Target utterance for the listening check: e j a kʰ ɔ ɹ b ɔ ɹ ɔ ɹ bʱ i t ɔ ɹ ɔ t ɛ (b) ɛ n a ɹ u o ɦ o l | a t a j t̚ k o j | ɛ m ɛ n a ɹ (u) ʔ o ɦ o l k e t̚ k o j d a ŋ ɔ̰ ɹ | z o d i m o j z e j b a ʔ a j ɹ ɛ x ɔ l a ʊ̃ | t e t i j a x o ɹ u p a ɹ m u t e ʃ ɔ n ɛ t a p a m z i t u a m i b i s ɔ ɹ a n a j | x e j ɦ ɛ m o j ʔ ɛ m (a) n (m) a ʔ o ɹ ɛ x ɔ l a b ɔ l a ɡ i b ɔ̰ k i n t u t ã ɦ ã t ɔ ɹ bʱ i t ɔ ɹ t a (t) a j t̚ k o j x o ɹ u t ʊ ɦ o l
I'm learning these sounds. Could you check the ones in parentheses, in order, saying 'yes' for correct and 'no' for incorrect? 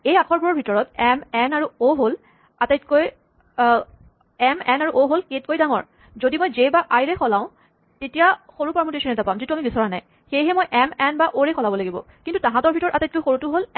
no, yes, no, no, yes

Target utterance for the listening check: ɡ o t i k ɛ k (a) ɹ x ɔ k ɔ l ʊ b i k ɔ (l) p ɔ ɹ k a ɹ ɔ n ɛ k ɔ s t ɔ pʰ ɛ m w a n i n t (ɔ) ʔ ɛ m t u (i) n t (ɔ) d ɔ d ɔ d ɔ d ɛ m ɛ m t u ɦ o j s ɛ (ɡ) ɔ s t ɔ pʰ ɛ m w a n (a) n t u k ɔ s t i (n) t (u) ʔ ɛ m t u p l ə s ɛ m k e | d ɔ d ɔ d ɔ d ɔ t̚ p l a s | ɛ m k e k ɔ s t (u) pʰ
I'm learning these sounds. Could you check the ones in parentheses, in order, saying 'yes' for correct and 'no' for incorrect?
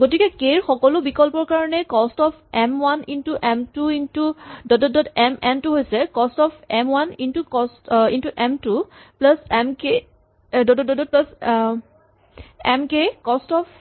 no, yes, no, yes, no, no, no, yes, yes, no

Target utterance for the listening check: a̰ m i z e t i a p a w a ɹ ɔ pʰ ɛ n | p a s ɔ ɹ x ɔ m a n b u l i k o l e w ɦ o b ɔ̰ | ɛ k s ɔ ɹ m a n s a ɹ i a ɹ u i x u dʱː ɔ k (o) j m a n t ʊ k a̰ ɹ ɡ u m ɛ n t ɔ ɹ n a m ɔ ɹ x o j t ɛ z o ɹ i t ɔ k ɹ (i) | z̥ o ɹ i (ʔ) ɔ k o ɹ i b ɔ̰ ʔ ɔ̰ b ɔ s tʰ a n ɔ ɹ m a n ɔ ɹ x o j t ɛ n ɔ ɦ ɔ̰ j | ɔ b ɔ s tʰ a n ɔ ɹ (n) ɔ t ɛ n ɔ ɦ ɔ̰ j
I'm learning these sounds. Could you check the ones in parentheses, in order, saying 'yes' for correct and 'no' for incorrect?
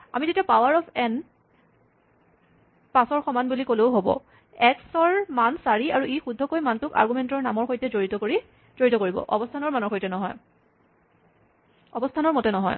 yes, yes, no, no

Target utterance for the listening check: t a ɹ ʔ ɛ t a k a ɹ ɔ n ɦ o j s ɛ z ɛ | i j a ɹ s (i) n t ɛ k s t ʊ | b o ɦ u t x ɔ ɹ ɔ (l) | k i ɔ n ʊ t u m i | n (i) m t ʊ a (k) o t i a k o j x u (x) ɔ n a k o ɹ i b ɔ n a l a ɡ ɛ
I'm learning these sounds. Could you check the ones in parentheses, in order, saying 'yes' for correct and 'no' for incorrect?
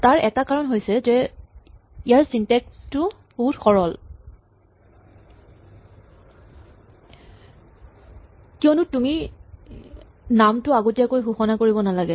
yes, yes, no, no, yes

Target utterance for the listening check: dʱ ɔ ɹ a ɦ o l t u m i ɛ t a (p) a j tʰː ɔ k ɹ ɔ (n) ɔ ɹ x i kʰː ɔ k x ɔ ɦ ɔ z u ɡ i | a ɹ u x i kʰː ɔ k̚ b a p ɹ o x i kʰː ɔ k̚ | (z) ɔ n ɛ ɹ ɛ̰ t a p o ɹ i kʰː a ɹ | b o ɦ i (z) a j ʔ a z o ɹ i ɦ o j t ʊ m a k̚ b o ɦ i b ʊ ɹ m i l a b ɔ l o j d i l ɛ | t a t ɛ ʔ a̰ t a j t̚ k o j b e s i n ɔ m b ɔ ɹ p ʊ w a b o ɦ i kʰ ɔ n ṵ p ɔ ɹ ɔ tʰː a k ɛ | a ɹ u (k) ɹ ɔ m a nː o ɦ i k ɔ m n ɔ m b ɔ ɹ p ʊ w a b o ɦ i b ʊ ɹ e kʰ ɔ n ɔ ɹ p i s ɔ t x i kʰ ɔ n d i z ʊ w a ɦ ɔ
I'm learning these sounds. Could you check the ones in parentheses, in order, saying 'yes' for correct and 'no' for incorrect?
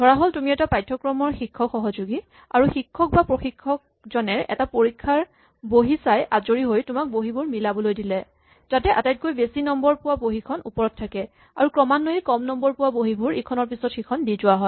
yes, no, yes, no, yes

